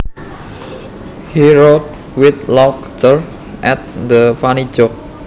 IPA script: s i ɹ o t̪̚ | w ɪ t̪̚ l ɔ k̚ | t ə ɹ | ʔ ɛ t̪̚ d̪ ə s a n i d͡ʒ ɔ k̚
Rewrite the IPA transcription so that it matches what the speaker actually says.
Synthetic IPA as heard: h i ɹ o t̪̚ | w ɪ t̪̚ l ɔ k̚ | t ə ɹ | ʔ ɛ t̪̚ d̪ ə f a n i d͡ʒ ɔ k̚

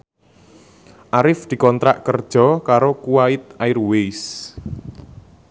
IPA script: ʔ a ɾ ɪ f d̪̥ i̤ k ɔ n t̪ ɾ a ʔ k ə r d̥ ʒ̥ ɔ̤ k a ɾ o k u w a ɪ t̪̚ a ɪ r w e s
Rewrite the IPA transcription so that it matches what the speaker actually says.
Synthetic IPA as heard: ʔ a ɾ ɪ f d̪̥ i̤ k ɔ n t̪ ɾ a ʔ k ə r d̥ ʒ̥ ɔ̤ k a ɾ o k u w a ɪ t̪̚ a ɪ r w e s

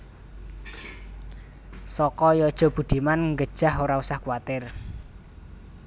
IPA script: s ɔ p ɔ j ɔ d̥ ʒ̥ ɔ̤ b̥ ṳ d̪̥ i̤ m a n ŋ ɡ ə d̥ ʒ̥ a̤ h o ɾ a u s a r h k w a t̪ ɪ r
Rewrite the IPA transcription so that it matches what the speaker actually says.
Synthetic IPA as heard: s ɔ k ɔ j ɔ d̥ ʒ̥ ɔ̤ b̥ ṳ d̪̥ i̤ m a n ŋ ɡ ə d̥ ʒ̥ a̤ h o ɾ a u s a h k w a t̪ ɪ r

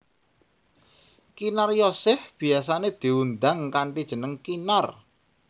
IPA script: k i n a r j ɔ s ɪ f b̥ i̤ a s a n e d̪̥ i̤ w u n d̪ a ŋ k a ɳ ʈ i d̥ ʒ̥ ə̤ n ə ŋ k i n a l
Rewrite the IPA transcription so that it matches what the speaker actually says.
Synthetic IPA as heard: k i n a r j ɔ s ɪ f b̥ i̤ a s a n e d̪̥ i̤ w u n d̪ a ŋ k a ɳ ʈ i d̥ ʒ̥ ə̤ n ə ŋ k i n a r

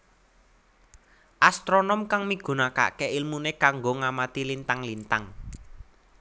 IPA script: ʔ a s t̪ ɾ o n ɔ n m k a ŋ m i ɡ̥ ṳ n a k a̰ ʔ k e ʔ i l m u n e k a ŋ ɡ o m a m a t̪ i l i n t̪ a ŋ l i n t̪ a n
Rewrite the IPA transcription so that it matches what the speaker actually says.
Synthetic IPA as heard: ʔ a s t̪ ɾ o n ɔ m k a ŋ m i ɡ̥ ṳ n a k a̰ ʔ k e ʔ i l m u n e k a ŋ ɡ o ŋ a m a t̪ i l i n t̪ a ŋ l i n t̪ a ŋ

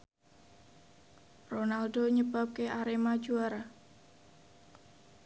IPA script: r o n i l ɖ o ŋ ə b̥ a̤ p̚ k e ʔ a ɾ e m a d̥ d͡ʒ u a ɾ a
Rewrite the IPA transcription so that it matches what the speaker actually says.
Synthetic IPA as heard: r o n a l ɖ o ɲ ə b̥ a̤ p̚ k e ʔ a ɾ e m a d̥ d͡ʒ u a ɾ a

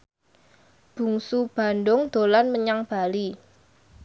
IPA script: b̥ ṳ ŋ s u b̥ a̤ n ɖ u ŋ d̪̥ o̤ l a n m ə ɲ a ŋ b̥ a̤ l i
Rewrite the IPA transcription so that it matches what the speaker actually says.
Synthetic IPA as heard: b̥ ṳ ŋ s u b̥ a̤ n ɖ ʊ ŋ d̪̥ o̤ l a n m ə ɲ a ŋ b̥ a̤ l i

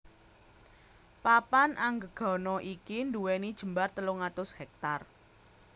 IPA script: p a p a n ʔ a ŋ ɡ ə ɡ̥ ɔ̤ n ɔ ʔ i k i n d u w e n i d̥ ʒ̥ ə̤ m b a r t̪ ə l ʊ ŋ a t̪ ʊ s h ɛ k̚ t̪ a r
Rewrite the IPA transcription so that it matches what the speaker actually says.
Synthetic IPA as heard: p a p a n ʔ a ŋ ɡ ə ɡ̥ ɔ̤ n ɔ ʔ i k i n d u w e n i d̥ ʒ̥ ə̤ m b a r t̪ ə l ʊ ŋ a t̪ ʊ s h ɛ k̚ t̪ a r

